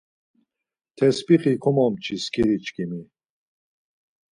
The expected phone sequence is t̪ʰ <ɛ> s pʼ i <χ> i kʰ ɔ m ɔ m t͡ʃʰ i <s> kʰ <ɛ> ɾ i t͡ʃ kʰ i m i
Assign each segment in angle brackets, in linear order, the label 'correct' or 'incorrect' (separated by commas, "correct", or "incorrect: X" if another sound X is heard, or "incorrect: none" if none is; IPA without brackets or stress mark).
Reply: correct, correct, correct, incorrect: i